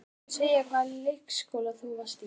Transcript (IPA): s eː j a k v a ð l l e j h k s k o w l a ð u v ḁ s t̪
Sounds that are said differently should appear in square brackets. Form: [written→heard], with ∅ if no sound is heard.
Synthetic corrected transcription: s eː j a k v a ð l l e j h k s k o w l a [ð→θ] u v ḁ s t̪

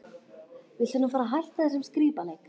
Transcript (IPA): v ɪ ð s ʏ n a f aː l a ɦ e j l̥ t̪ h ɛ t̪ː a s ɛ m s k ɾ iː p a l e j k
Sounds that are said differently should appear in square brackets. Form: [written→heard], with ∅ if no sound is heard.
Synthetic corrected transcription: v ɪ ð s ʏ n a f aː [l→ɾ] a ɦ [e→a] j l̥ t̪ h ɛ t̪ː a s ɛ m s k ɾ iː p a l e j k

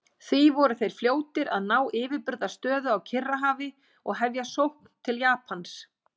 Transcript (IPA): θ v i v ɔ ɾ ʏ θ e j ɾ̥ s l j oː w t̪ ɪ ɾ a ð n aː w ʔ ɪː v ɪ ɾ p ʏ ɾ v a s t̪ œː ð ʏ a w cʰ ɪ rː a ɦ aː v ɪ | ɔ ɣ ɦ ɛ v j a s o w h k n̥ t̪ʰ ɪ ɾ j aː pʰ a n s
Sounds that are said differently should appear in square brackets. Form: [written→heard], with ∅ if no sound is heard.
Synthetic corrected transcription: θ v i v ɔ ɾ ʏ θ e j ɾ̥ [s→f] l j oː w t̪ ɪ ɾ a ð n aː w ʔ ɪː v ɪ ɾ p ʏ ɾ [v→ð] a s t̪ œː ð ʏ a w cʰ ɪ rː a ɦ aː v ɪ | ɔ ɣ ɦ ɛ v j a s o w h k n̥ t̪ʰ ɪ [ɾ→l] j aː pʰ a n s

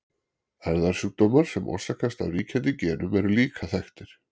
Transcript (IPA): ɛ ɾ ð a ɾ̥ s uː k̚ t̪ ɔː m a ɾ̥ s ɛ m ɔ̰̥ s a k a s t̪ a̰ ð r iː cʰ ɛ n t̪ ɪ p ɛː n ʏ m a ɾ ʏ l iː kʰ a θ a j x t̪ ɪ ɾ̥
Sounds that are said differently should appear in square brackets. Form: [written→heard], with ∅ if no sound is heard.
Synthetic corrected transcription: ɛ ɾ ð a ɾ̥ s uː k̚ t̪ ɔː m a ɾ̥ s ɛ m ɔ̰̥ s a k a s t̪ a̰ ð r iː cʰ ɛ n t̪ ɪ [p→c] ɛː n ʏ m [a→ɛ] ɾ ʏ l iː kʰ a θ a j x t̪ ɪ ɾ̥

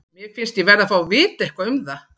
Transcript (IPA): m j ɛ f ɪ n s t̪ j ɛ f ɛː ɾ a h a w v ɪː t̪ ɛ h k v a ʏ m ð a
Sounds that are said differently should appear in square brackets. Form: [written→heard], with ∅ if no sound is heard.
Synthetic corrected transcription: m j ɛ f ɪ n s t̪ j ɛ [f→v] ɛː ɾ a [h→f] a w v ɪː t̪ ɛ h k v a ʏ m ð a

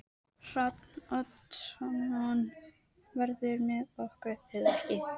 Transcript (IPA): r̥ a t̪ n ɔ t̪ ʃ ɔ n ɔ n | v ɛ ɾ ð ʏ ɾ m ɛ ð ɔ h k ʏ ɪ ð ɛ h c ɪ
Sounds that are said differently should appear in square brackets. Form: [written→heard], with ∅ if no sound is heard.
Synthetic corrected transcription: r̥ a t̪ n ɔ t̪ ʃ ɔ n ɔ n | v ɛ ɾ ð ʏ ɾ m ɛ ð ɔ h k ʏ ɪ ð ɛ h c ɪ

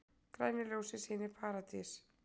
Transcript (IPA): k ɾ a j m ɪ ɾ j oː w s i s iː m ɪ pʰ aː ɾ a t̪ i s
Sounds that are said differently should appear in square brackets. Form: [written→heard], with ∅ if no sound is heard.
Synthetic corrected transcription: k ɾ a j [m→n] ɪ [ɾ→l] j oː w s [i→ɪ] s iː [m→n] ɪ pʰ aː ɾ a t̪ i s

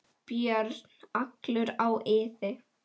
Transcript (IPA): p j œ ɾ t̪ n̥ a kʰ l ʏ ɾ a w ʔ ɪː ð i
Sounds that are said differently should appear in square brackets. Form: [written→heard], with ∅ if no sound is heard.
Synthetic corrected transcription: p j œ ɾ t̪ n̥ a [kʰ→k] l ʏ ɾ a w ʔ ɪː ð [i→ɪ]

